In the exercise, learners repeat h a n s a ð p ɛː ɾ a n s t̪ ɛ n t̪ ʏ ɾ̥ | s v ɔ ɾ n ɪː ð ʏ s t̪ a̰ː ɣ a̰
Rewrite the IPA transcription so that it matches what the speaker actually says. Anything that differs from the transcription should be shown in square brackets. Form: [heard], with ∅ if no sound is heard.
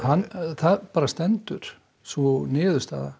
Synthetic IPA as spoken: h a n [θ] a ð p [aː] ɾ a [∅] s t̪ ɛ n t̪ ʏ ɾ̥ | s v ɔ [∅] n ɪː ð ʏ s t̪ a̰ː [ð] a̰